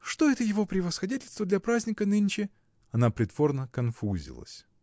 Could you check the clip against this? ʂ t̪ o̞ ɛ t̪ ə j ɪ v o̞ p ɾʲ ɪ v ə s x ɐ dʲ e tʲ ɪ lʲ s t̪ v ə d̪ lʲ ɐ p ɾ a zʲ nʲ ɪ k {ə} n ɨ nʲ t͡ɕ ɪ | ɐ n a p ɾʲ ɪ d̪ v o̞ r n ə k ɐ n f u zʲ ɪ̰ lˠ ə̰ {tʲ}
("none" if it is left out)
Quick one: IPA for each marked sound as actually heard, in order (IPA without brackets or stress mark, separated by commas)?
ə, sʲ